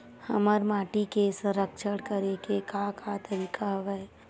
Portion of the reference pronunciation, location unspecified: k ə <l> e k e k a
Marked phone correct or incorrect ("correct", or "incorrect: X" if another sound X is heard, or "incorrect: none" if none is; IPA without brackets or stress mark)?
incorrect: ɾ